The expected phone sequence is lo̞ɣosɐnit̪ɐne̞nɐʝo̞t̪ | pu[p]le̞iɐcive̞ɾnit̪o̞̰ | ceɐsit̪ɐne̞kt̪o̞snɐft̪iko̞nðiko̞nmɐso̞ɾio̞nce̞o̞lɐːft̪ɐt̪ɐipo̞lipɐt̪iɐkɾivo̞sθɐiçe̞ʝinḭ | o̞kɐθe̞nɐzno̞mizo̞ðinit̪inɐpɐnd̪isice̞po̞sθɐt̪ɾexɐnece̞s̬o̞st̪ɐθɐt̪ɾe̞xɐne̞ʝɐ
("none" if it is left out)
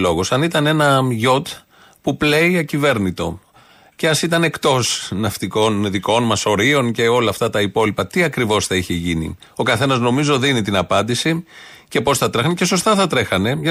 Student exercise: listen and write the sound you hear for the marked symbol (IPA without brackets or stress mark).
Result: p